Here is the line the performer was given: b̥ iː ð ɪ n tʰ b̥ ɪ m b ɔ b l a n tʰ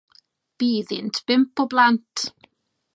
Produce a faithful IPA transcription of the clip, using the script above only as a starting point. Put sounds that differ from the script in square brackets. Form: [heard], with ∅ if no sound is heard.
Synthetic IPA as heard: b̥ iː ð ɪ n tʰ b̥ ɪ m [p] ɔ b l a n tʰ